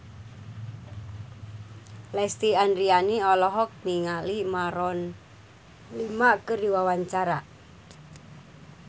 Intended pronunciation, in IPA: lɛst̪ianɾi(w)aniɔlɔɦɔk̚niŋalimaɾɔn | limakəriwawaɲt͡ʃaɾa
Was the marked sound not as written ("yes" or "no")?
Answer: yes